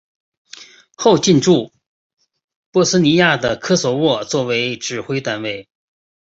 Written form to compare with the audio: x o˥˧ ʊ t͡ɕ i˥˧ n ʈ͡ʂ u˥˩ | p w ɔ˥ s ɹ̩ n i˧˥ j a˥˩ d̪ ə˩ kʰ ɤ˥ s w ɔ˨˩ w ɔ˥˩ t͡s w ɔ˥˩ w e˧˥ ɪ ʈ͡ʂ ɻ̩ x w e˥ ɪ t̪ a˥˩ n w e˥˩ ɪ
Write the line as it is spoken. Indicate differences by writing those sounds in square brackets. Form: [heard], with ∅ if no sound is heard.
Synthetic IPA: x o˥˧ ʊ t͡ɕ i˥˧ n ʈ͡ʂ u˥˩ | p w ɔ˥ s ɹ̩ n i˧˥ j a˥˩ d̪ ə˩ kʰ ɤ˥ s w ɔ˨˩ w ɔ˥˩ t͡s w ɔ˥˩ w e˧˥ ɪ ʈ͡ʂ ɻ̩ x w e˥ ɪ t̪ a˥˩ n w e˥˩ ɪ

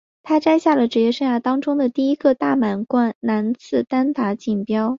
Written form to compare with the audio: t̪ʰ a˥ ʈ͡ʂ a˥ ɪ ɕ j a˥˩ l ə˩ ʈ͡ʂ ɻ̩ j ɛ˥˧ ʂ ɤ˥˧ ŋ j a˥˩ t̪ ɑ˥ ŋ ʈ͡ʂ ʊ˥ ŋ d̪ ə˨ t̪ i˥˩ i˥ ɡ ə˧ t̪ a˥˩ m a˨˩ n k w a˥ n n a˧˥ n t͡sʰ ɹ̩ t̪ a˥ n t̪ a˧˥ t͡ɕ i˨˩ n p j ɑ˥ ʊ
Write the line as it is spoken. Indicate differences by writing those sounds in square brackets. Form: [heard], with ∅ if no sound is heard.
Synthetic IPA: t̪ʰ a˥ ʈ͡ʂ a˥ ɪ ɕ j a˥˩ l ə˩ ʈ͡ʂ ɻ̩ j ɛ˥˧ ʂ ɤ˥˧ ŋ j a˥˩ t̪ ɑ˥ ŋ ʈ͡ʂ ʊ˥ ŋ d̪ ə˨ t̪ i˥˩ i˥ ɡ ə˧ t̪ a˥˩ m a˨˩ n k w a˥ n n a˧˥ n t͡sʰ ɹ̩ t̪ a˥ n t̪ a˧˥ t͡ɕ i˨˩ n p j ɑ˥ ʊ

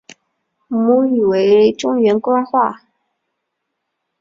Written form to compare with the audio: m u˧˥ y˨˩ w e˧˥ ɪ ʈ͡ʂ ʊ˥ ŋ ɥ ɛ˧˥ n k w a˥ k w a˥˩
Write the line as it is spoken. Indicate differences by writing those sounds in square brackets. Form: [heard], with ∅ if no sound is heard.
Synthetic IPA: m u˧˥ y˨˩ w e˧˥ ɪ ʈ͡ʂ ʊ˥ ŋ ɥ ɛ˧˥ n k w a˥ [x] w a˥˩

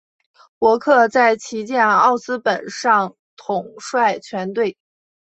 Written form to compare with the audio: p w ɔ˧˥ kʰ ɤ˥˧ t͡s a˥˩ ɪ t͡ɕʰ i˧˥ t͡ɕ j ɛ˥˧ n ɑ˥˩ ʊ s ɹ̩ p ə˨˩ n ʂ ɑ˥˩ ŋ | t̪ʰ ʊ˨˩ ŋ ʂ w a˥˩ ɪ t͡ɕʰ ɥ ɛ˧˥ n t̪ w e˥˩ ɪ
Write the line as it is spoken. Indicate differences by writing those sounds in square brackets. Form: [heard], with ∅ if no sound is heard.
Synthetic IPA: p w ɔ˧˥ kʰ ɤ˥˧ t͡s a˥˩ ɪ t͡ɕʰ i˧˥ t͡ɕ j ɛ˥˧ n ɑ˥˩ ʊ s ɹ̩ p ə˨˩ n ʂ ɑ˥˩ ŋ | t̪ʰ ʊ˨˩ ŋ ʂ w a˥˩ ɪ t͡ɕʰ ɥ ɛ˧˥ n t̪ w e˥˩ ɪ

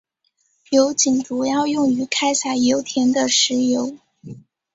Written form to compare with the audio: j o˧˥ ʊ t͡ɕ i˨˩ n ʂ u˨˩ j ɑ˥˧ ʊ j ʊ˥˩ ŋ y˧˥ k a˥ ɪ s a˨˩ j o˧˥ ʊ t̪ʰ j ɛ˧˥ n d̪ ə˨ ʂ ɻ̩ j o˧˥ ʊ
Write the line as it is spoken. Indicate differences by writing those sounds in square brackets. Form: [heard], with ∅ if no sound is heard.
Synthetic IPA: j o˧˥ ʊ t͡ɕ i˨˩ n [ʈ͡ʂ] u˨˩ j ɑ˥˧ ʊ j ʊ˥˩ ŋ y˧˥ [kʰ] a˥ ɪ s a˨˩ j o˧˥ ʊ t̪ʰ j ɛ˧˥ n d̪ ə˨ ʂ ɻ̩ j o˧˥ ʊ

